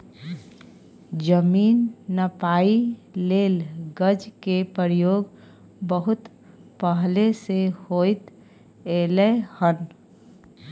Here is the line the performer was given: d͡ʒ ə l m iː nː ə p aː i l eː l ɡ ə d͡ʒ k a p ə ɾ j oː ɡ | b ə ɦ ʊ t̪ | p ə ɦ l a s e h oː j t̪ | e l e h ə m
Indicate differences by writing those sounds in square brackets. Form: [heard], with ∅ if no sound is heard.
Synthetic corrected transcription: d͡ʒ ə [∅] m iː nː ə p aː i l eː l ɡ ə d͡ʒ k [e] p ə ɾ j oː ɡ | b ə ɦ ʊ t̪ | p ə ɦ l [e] s e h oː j t̪ | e l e h ə [n]